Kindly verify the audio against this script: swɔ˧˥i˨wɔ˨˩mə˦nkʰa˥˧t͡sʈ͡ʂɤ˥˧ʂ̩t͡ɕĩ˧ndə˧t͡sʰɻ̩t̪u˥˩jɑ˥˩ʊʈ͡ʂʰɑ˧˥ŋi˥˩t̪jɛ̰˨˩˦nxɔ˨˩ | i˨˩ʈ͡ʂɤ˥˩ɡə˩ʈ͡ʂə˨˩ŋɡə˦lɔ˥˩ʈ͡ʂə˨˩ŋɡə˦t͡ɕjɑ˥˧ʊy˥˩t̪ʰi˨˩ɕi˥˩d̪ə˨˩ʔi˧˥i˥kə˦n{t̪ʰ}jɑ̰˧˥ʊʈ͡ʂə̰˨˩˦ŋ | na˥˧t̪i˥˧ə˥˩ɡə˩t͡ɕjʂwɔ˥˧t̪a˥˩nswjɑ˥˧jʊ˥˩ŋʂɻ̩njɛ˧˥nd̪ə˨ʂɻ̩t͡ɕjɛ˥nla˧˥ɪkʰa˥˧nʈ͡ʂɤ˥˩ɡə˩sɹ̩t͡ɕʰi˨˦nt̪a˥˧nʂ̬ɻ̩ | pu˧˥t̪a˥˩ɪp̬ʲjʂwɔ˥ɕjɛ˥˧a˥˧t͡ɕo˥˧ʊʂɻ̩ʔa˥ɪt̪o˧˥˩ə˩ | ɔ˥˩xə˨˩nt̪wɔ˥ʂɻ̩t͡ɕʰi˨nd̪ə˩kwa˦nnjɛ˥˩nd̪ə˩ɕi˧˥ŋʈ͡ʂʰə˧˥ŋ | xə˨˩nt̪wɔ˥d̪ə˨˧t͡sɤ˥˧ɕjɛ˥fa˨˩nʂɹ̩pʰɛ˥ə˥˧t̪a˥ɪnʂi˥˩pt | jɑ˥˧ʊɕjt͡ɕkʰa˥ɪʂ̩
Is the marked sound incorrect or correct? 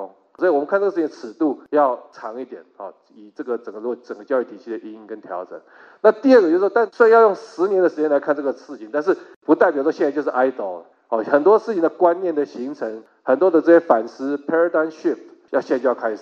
correct